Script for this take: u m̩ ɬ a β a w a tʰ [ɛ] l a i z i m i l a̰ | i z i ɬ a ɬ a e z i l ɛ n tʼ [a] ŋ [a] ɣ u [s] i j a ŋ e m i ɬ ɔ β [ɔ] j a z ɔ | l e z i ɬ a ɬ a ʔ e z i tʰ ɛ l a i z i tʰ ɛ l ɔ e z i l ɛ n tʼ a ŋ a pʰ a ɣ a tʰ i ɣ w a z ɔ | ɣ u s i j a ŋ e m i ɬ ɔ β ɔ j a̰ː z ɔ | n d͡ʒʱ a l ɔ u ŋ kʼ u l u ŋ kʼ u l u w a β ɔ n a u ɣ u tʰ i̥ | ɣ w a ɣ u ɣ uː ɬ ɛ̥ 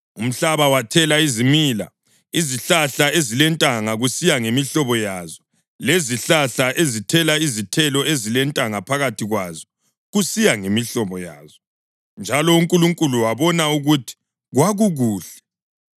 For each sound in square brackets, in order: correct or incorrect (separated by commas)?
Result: correct, correct, correct, correct, correct